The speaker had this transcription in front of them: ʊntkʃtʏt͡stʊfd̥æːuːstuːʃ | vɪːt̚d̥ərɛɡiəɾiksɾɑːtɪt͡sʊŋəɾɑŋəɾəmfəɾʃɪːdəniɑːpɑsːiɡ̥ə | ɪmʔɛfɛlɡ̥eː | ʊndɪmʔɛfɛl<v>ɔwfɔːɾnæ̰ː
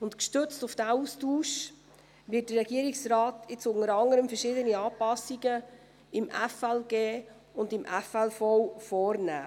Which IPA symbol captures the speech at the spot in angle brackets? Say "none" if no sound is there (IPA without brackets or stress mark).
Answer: f